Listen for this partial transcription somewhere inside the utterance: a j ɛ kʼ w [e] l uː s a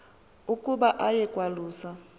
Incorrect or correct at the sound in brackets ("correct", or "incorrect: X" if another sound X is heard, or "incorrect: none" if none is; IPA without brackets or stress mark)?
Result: incorrect: a